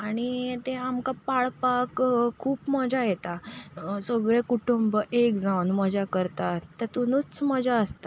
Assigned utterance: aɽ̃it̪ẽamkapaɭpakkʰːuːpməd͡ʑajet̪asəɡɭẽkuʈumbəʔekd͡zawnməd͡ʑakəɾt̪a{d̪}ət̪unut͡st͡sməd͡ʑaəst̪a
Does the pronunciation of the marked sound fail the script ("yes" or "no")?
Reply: yes